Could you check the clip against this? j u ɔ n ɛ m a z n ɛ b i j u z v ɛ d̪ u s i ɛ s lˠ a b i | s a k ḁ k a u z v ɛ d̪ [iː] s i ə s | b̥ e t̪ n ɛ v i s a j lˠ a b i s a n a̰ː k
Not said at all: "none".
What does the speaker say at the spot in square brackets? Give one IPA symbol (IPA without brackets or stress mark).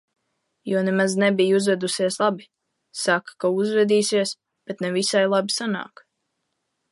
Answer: iː